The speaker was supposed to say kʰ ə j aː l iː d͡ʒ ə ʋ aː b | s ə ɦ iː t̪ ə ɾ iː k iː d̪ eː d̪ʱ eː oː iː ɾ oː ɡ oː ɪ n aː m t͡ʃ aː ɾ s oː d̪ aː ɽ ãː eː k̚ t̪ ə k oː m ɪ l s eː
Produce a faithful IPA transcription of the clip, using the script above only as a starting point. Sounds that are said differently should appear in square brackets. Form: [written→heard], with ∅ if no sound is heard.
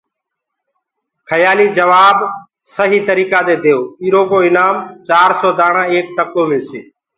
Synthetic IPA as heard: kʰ ə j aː l iː d͡ʒ ə ʋ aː b | s ə ɦ iː t̪ ə ɾ iː k [iː→aː] d̪ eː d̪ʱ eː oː iː ɾ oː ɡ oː ɪ n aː m t͡ʃ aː ɾ s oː d̪ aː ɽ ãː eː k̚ t̪ ə k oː m ɪ l s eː